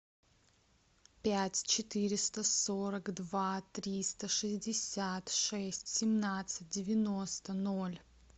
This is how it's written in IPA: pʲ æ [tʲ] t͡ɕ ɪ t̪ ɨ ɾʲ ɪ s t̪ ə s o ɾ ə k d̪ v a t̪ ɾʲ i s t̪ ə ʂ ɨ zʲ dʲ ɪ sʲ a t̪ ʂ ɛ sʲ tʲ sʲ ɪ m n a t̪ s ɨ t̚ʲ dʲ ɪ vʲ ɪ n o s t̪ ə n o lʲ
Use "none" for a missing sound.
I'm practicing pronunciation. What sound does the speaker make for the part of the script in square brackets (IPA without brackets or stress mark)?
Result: tʲ